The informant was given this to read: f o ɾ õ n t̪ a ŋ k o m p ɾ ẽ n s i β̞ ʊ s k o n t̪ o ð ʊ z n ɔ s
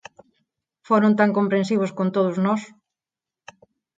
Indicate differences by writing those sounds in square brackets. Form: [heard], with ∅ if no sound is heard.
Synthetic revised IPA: f o ɾ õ n t̪ a ŋ k o m p ɾ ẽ n s i β̞ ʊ s k o n t̪ o ð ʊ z n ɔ s